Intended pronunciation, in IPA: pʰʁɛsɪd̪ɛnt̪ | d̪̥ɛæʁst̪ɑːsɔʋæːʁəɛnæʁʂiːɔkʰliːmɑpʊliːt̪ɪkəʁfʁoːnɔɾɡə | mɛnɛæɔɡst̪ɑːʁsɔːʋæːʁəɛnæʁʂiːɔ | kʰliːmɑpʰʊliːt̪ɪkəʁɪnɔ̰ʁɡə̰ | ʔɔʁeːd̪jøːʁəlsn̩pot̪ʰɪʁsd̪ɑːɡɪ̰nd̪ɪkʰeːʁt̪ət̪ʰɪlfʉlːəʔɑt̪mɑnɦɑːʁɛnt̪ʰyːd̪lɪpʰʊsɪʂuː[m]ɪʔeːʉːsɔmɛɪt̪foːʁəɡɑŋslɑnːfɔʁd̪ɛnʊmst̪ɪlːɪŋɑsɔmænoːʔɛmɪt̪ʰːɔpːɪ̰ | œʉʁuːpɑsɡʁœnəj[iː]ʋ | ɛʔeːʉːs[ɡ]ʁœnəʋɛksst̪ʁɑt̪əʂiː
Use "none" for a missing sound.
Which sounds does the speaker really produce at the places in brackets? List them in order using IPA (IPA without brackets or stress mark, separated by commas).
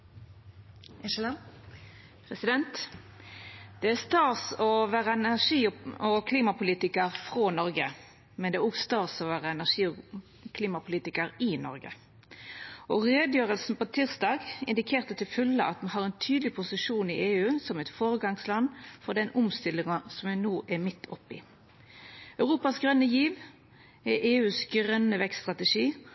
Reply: n, iː, ɡ